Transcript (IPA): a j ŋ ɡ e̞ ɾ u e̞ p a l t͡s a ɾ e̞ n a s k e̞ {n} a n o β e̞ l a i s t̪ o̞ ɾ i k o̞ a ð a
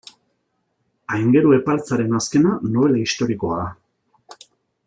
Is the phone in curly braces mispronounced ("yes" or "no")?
no